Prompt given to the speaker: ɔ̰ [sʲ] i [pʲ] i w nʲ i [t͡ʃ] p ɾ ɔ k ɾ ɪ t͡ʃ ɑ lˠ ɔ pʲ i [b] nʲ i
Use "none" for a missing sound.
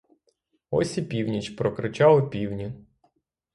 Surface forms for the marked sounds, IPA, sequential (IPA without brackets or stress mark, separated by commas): sʲ, pʲ, t͡ʃ, w